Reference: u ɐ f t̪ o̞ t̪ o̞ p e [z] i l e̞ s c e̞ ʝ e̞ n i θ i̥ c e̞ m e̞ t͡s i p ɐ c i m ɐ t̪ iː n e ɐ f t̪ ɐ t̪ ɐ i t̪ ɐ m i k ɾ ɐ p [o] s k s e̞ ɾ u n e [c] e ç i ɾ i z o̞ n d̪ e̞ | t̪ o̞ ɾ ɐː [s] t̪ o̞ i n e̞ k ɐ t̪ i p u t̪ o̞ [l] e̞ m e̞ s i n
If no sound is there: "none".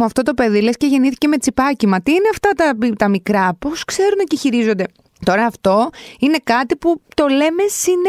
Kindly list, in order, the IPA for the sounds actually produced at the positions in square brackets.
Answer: ð, o, c, f, l

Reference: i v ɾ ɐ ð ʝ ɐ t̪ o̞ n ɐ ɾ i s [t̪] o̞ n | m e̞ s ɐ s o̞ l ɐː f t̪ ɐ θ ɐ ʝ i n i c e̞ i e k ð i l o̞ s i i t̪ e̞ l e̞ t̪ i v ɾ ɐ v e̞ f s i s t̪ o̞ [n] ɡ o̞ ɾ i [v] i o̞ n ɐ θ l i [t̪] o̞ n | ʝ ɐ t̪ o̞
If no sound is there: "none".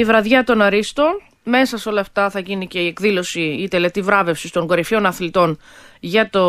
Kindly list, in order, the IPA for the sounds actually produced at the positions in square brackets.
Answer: t̪, ŋ, f, t̪

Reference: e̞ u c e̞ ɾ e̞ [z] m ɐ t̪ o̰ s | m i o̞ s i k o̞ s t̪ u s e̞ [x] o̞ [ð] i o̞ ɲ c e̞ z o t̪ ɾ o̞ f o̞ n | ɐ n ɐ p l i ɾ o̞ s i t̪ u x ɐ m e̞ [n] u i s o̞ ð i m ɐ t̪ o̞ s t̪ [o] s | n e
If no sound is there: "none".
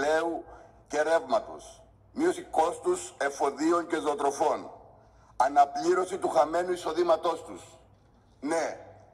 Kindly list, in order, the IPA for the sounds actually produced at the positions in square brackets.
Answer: v, f, ð, n, u

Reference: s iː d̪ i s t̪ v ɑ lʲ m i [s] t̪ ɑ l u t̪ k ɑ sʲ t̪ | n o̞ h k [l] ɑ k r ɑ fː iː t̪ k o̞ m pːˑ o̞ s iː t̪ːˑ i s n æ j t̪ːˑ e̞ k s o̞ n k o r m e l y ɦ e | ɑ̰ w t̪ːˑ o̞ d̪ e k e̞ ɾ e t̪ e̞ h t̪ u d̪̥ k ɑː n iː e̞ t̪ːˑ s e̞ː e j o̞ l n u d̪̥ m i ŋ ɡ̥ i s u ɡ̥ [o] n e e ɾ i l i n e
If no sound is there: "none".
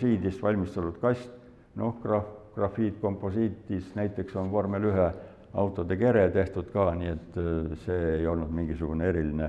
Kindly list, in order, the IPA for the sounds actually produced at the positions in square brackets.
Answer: s, r, u

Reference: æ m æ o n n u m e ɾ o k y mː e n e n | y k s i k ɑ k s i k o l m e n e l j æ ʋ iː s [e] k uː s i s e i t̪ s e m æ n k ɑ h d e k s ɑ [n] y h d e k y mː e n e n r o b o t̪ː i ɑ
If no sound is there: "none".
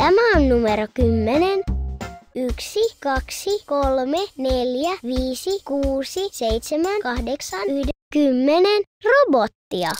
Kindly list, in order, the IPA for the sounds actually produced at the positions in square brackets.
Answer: i, n

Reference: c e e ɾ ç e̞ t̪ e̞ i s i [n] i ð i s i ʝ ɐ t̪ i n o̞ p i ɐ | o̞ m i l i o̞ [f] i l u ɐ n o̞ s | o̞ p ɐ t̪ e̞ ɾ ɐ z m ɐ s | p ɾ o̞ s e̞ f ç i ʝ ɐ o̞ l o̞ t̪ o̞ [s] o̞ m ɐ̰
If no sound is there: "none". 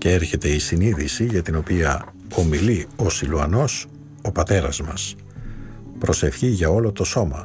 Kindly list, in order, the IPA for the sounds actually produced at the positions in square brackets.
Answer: n, s, s

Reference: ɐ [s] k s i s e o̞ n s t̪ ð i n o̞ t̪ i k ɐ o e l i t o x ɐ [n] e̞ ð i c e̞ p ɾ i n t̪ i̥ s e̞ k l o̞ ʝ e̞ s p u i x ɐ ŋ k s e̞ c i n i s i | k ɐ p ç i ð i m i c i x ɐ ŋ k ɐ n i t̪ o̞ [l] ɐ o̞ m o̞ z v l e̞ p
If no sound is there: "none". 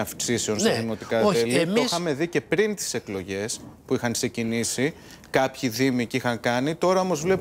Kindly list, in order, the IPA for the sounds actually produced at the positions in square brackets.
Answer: f, m, ɾ

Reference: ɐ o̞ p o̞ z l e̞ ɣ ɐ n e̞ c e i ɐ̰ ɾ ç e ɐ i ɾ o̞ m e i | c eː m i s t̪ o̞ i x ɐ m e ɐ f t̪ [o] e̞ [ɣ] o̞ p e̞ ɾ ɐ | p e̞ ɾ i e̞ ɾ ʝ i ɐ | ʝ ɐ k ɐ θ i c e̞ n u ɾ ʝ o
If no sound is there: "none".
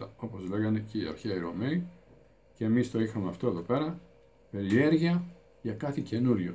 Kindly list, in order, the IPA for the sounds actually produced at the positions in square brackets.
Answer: o, ð

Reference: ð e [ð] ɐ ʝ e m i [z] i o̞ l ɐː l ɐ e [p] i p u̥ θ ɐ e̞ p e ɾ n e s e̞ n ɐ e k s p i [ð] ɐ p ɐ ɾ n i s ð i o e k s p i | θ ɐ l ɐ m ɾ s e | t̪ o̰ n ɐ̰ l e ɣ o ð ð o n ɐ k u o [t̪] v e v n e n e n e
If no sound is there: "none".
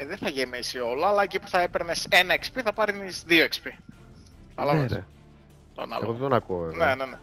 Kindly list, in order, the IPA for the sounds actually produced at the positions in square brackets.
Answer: θ, s, c, θ, none

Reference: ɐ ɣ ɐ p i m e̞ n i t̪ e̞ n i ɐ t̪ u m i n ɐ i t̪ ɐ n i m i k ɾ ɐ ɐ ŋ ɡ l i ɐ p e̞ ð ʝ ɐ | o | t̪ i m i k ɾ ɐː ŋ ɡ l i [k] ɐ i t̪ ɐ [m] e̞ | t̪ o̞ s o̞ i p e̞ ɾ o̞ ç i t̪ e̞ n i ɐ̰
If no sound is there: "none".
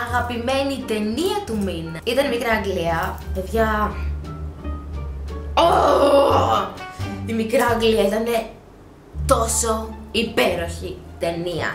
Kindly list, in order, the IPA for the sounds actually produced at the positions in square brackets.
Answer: none, n

